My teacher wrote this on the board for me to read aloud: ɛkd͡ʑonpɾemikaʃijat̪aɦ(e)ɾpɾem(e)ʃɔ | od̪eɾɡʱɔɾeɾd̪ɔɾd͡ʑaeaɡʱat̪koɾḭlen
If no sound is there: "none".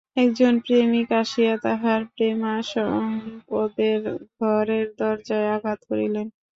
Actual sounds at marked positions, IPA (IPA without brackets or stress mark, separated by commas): a, a